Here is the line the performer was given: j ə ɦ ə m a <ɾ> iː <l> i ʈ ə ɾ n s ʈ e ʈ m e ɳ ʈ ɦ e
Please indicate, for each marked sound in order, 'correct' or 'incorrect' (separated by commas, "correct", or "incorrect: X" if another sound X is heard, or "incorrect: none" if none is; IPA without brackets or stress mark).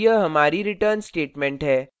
correct, incorrect: ɾ